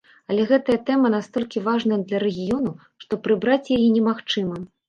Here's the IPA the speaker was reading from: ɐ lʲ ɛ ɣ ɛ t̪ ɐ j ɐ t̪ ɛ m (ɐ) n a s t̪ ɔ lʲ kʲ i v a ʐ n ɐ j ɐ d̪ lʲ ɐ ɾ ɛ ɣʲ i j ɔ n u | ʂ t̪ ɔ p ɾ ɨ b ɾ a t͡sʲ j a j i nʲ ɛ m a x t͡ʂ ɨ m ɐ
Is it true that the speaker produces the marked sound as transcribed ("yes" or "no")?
yes